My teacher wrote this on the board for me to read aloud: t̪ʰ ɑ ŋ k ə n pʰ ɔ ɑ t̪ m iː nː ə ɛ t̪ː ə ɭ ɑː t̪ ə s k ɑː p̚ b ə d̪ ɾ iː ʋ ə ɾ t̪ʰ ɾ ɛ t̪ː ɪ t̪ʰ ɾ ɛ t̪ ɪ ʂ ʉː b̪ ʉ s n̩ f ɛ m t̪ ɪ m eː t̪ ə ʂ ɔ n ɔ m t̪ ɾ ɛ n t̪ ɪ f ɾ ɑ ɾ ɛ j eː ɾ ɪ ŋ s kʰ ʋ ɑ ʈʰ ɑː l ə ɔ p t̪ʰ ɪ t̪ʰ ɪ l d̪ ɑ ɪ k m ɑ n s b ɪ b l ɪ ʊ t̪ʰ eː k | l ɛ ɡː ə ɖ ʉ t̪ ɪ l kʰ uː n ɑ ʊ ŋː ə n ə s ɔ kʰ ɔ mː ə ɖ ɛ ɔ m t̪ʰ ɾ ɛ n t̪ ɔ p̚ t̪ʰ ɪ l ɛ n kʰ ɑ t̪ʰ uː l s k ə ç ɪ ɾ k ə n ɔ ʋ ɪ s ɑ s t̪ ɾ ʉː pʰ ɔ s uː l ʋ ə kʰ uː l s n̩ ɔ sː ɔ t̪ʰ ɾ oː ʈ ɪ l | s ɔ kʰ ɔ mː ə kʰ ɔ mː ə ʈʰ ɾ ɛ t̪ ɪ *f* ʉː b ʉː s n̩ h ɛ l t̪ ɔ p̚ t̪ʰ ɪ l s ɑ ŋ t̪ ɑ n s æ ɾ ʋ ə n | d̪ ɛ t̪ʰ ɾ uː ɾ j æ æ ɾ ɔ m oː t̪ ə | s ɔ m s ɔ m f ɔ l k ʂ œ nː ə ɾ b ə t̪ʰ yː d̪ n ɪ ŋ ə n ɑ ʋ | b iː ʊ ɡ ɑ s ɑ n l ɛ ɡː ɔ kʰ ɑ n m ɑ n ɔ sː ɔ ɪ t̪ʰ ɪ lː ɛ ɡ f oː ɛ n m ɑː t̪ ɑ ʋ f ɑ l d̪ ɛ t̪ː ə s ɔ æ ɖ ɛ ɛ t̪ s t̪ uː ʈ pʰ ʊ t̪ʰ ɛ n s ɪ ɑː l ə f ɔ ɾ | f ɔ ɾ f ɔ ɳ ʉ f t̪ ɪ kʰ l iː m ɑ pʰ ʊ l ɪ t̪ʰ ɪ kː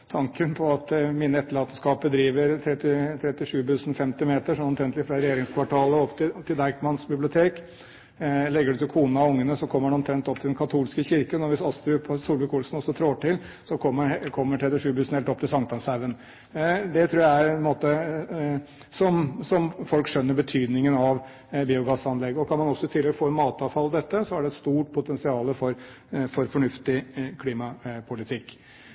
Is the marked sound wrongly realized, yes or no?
yes